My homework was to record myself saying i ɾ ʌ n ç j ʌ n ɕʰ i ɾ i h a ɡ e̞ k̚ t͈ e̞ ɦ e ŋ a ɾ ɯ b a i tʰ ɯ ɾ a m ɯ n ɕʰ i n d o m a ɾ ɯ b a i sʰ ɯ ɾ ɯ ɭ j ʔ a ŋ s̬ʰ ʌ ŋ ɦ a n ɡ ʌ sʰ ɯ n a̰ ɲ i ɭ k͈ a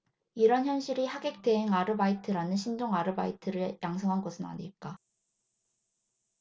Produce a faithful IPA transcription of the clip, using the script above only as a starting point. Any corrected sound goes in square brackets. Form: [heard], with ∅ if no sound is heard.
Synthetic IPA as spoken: i ɾ ʌ n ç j ʌ n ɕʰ i ɾ i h a ɡ e̞ k̚ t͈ e̞ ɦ e ŋ a ɾ ɯ b a i tʰ ɯ ɾ a [n] ɯ n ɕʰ i n d o [ŋ] a ɾ ɯ b a i [tʰ] ɯ ɾ ɯ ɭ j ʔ a ŋ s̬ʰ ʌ ŋ ɦ a n ɡ ʌ sʰ ɯ n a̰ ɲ i ɭ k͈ a